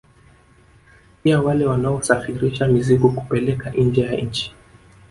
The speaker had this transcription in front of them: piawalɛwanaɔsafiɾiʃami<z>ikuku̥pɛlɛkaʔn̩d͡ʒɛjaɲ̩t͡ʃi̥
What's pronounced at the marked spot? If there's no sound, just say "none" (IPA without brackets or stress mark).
z